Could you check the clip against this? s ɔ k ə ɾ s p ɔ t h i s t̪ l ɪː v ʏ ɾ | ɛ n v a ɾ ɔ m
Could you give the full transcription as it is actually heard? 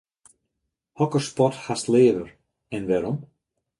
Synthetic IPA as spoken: h ɔ k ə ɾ s p ɔ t h a s t̪ l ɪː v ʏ ɾ | ɛ n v ɛ ɾ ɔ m